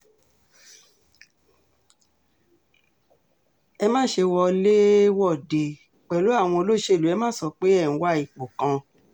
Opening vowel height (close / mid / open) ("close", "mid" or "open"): mid